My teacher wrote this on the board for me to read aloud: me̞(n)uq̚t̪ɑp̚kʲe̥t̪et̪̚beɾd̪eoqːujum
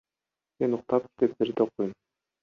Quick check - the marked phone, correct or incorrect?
correct